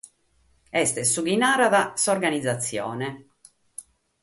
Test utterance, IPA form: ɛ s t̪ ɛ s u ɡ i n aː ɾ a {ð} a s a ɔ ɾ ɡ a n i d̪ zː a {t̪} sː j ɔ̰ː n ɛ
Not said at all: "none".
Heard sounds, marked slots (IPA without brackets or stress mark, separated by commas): ð, t̪